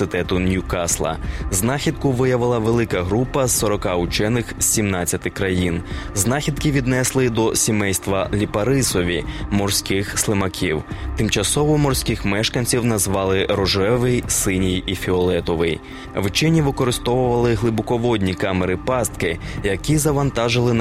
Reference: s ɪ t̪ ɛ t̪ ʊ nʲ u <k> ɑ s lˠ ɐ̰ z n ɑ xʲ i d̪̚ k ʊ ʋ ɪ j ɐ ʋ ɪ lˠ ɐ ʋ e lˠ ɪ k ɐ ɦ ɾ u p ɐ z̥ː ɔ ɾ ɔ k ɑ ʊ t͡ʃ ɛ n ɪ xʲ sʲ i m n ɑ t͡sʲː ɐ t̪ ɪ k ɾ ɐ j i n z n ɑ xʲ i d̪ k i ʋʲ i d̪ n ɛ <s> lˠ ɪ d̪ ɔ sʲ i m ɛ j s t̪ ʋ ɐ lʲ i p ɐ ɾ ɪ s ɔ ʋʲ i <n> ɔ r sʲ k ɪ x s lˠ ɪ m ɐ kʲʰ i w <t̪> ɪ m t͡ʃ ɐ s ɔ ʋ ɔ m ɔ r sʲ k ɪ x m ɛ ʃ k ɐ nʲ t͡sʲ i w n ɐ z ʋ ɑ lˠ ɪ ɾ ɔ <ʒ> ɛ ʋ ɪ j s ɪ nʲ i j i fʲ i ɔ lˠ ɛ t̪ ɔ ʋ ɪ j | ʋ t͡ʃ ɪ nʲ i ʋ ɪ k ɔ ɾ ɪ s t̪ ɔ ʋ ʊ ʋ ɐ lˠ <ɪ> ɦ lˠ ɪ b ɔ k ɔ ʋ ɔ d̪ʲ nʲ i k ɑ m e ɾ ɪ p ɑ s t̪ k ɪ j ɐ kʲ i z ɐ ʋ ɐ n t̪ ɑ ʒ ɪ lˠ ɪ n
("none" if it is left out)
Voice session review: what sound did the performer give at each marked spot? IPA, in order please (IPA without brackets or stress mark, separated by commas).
k, s, m, t̪, ʒ, ɪ